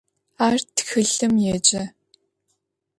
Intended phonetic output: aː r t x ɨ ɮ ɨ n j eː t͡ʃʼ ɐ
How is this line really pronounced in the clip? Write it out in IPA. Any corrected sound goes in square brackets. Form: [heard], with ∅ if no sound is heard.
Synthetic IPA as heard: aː r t x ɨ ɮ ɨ [m] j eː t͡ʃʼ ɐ